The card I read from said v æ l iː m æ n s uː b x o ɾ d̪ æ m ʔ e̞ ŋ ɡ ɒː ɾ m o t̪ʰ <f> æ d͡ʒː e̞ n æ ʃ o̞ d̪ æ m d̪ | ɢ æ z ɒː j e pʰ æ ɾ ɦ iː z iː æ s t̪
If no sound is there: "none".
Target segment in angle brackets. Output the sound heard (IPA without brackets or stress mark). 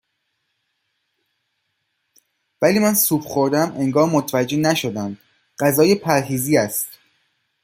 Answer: v